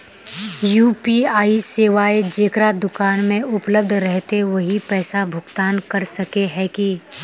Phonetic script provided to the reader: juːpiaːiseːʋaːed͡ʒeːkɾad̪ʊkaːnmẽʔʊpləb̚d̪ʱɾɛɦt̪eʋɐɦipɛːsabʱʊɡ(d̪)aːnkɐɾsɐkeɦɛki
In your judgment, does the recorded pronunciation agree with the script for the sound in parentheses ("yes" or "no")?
no